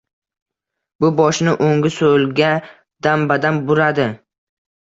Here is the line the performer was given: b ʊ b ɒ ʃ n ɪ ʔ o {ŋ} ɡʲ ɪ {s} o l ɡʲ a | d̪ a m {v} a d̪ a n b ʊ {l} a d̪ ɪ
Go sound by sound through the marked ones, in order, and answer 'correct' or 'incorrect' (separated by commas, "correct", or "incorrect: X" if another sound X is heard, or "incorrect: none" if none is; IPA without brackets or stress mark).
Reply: correct, correct, incorrect: b, incorrect: ɾ